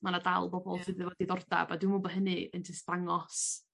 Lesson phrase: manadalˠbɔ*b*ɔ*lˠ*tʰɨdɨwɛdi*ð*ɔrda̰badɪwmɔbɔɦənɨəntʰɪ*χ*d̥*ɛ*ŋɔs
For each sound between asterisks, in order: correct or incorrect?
correct, correct, correct, incorrect: s, incorrect: a

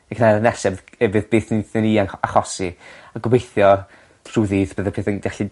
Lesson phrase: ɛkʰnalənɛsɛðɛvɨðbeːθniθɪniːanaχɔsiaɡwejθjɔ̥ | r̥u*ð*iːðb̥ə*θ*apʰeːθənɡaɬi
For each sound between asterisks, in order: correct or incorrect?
correct, incorrect: ð

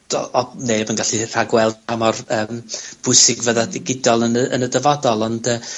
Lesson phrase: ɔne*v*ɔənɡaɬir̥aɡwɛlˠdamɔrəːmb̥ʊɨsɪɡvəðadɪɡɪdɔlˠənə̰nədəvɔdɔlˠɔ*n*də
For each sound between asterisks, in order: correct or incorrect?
incorrect: b, correct

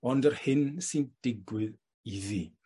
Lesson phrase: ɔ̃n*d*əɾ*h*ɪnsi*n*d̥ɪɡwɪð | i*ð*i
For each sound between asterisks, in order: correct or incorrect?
correct, correct, correct, correct

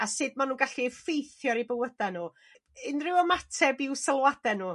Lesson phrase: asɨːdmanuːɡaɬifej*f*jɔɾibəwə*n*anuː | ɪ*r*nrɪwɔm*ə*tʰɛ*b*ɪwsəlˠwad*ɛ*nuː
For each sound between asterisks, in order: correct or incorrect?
incorrect: θ, incorrect: d, incorrect: none, incorrect: a, correct, correct

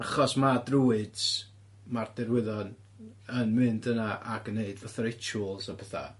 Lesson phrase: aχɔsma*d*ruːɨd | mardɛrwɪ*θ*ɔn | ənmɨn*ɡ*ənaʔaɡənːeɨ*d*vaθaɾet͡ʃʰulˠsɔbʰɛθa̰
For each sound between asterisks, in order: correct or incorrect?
correct, incorrect: ð, incorrect: d, correct

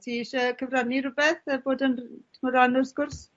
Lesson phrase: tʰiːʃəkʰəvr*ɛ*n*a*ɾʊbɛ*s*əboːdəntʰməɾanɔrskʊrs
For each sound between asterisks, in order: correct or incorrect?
incorrect: a, incorrect: i, incorrect: θ

